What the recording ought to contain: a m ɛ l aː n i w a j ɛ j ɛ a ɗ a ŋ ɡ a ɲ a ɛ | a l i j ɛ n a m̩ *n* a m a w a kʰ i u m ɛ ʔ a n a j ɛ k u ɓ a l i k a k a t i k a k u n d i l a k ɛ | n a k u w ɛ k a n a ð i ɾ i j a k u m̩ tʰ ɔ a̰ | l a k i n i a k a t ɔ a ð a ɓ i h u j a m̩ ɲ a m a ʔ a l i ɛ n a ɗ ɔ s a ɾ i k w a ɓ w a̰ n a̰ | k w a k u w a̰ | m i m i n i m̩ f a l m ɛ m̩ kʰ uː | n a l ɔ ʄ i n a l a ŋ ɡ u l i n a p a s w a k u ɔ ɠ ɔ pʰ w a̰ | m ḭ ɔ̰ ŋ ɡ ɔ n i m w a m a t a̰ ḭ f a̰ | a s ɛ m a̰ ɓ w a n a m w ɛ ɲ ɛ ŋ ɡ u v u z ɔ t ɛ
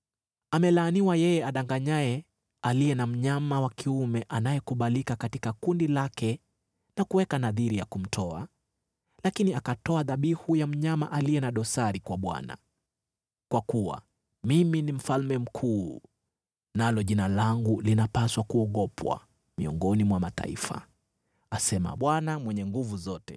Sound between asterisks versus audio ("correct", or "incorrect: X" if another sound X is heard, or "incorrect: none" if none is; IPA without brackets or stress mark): incorrect: ɲ